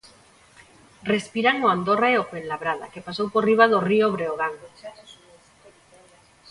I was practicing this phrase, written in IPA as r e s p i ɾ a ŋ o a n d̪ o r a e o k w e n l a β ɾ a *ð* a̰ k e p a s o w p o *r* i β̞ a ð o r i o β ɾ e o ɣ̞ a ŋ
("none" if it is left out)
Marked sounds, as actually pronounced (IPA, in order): ð, r

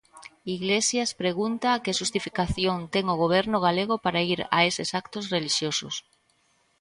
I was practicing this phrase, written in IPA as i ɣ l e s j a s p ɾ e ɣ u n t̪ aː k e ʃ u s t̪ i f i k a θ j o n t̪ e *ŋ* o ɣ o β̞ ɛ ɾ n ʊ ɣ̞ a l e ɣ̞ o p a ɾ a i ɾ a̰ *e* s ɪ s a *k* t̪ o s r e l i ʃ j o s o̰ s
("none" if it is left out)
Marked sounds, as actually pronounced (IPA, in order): ŋ, e, k

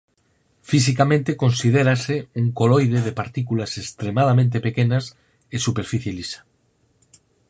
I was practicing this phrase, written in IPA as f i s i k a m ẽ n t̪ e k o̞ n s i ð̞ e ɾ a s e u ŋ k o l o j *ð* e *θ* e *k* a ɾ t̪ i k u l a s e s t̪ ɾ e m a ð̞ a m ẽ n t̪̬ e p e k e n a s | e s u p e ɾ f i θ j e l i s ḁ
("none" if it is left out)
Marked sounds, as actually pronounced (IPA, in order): ð, ð, p

